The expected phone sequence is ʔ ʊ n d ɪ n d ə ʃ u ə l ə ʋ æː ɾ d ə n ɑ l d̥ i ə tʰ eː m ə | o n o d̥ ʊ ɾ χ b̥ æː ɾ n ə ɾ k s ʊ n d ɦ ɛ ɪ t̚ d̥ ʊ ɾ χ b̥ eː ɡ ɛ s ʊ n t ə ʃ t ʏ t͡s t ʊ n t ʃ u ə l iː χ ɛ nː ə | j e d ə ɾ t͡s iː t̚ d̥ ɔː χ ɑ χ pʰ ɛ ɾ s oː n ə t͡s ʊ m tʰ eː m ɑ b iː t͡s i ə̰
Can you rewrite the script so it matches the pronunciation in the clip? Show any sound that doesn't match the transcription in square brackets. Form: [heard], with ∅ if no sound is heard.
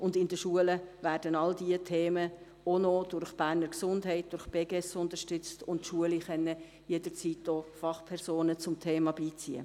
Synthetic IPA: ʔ ʊ n d ɪ n d ə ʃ u ə l ə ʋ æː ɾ d ə n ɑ l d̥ i ə tʰ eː m ə | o n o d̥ ʊ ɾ χ b̥ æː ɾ n ə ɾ k s ʊ n d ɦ ɛ ɪ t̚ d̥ ʊ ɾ χ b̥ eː ɡ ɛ s ʊ n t ə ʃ t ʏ t͡s t ʊ n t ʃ u ə l [i] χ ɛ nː ə | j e d ə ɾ t͡s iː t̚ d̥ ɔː [f] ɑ χ pʰ ɛ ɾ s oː n ə t͡s ʊ m tʰ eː m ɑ b iː t͡s i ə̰

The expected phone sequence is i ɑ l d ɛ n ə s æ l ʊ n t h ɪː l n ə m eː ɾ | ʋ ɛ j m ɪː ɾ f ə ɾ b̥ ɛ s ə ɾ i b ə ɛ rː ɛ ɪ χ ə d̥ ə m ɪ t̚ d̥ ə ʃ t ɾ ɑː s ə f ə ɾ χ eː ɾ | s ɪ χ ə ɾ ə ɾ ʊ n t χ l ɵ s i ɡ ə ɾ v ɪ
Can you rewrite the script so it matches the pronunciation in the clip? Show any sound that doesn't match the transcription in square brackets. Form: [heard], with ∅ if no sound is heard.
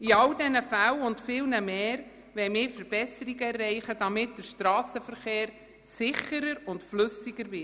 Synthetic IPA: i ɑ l d ɛ n ə [f] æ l ʊ n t [f] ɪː l n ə m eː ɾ | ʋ ɛ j m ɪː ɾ f ə ɾ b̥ ɛ s ə ɾ i [ɡ] ə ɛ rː ɛ ɪ χ ə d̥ [ɑ] m ɪ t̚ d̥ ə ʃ t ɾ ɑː s ə f ə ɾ χ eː ɾ | s ɪ χ ə ɾ ə ɾ ʊ n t [f] l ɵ s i ɡ ə ɾ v ɪ

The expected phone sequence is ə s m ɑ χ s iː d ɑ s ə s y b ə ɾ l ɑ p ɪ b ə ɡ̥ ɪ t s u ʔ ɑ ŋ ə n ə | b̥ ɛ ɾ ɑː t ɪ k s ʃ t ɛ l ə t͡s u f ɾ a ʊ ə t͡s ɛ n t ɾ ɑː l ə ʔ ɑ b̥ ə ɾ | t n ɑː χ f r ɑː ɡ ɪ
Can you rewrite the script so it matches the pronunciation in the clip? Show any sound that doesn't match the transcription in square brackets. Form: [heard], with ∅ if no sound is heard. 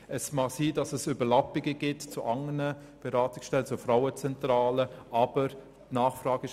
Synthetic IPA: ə s m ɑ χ s iː d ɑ s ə s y b ə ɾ l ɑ p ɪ [ɡ] ə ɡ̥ ɪ t [t͡s] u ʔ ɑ ŋ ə n ə | b̥ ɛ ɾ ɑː t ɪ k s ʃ t ɛ l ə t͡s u f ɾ a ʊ ə t͡s ɛ n t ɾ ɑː l ə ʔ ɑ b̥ ə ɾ | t n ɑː χ f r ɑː ɡ ɪ

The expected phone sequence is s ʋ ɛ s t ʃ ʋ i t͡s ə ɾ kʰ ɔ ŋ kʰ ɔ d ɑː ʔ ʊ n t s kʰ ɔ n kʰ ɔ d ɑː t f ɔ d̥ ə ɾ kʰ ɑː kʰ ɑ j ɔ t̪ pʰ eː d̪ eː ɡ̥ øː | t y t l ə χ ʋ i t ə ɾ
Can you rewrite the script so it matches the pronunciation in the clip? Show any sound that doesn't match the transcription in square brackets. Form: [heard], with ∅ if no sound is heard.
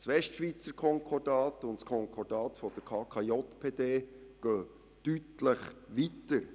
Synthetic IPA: s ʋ ɛ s t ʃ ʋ i t͡s ə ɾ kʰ ɔ ŋ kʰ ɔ d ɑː [t] ʊ n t s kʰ ɔ [ŋ] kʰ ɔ d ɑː t f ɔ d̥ ə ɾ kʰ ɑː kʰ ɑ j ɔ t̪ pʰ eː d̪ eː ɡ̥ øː | t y t l ə χ ʋ i t ə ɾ

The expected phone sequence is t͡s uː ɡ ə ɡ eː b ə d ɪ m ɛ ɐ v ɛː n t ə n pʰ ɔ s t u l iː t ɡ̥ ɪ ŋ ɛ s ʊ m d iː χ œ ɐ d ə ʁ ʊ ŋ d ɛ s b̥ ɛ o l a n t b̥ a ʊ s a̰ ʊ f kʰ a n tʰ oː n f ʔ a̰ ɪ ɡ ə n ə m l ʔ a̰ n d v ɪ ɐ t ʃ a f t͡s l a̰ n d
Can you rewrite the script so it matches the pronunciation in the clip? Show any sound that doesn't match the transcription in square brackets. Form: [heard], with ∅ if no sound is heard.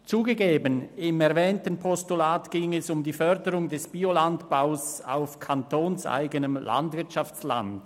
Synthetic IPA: t͡s uː ɡ ə ɡ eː b ə [n] ɪ m ɛ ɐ v ɛː n t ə n pʰ ɔ s t u l [aː] t ɡ̥ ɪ ŋ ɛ s ʊ m d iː [f] œ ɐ d ə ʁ ʊ ŋ d ɛ s b̥ [i] o l a n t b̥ a ʊ s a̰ ʊ f kʰ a n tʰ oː n [s] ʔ a̰ ɪ ɡ ə n ə m l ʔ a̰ n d v ɪ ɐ t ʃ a f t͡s l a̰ n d

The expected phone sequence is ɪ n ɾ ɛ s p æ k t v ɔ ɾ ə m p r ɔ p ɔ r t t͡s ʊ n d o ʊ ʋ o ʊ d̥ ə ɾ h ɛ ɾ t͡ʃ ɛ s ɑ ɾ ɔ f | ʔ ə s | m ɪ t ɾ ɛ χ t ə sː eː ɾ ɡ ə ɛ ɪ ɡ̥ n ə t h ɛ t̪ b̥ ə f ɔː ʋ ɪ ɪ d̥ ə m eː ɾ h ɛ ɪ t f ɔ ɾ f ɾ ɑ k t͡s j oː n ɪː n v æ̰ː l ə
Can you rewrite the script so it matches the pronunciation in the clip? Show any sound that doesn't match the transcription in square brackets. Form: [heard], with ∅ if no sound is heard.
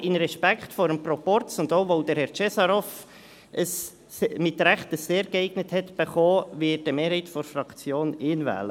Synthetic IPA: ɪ n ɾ ɛ [ʃ] p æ k t [f] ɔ ɾ ə m p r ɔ p ɔ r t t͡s ʊ n d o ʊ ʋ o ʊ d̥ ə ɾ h ɛ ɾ t͡ʃ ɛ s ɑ ɾ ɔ f | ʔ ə s | m ɪ t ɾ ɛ χ t ə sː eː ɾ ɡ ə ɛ ɪ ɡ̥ n ə t h ɛ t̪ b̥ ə [χ] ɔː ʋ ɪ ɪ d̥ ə m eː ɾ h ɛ ɪ t f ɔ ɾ f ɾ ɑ k t͡s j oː n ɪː n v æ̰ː l ə

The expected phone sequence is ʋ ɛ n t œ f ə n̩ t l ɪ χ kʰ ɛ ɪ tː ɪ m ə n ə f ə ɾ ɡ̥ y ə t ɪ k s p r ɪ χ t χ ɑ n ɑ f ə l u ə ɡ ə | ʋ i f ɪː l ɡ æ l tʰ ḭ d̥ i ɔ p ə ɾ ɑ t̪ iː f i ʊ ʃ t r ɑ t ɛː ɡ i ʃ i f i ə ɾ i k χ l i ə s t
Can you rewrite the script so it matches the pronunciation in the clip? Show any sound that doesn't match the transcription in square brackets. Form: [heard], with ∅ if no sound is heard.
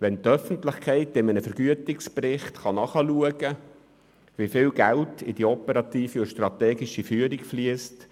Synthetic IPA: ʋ ɛ n t œ f ə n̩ t l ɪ χ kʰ ɛ ɪ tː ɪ m ə n ə f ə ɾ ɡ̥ y ə t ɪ k s p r ɪ χ t χ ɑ n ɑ [χ] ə l u ə ɡ ə | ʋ i f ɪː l ɡ æ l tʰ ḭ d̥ i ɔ p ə ɾ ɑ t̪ iː f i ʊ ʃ t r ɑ t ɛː ɡ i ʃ i f [y] ə ɾ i k [f] l i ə s t

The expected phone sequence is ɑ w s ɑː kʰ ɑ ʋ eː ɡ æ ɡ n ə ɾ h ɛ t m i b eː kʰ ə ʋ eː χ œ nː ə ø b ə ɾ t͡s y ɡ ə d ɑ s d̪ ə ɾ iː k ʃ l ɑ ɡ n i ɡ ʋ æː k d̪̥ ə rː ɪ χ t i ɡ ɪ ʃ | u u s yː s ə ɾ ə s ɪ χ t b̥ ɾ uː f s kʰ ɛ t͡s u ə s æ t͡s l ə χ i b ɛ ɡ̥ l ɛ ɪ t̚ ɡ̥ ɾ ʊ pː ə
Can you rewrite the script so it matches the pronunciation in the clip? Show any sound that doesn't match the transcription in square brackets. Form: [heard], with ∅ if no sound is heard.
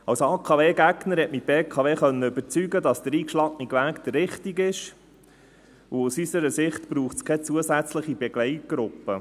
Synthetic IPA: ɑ w s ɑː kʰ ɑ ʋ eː ɡ æ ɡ n ə ɾ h ɛ t m i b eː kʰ [ɑ] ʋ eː χ œ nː ə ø b ə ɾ t͡s y ɡ ə d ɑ s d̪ ə ɾ iː k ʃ l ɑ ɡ n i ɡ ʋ æː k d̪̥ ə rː ɪ χ t i ɡ ɪ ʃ | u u s [y] s ə ɾ ə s ɪ χ t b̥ ɾ uː [χ] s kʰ ɛ t͡s u ə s æ t͡s l ə χ i b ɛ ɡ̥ l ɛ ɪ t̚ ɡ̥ ɾ ʊ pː ə

